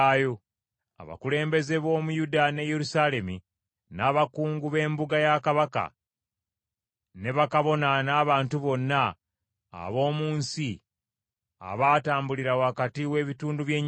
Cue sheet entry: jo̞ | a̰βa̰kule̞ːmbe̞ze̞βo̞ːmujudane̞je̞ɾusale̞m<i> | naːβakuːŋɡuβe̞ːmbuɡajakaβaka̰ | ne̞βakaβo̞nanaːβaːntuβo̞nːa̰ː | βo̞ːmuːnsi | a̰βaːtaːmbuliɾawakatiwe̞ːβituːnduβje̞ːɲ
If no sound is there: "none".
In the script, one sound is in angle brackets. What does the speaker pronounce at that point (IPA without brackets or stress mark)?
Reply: i